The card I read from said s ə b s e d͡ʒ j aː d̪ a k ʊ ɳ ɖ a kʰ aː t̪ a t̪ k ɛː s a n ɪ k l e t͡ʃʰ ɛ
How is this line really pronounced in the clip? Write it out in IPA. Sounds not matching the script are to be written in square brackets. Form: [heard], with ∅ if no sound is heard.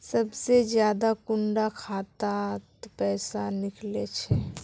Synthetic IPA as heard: s ə b s e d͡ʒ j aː d̪ a k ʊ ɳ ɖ a kʰ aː t̪ a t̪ [p] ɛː s a n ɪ k l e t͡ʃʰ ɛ